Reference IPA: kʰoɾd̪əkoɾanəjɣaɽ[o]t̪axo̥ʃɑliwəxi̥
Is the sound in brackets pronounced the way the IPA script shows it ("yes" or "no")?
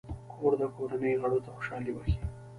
yes